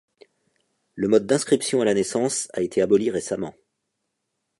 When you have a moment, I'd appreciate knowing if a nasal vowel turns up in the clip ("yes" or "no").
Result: yes